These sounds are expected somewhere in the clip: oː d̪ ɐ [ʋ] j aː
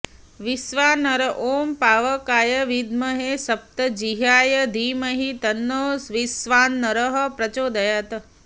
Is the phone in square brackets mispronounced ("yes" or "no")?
yes